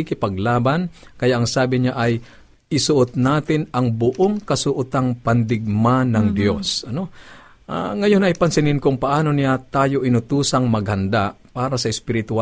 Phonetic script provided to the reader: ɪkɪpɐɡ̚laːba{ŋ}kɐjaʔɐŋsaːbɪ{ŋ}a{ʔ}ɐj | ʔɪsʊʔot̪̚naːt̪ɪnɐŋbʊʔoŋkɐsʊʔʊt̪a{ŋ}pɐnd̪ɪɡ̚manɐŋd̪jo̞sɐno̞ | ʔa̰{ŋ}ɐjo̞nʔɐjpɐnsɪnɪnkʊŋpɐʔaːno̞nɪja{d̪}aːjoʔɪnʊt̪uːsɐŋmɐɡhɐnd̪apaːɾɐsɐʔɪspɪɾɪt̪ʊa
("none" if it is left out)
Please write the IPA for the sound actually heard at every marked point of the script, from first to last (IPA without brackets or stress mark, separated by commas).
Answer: n, ɲ, ʔ, ŋ, ŋ, t̪